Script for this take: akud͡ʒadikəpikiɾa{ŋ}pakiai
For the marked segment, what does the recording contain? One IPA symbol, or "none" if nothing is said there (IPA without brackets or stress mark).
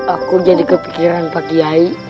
n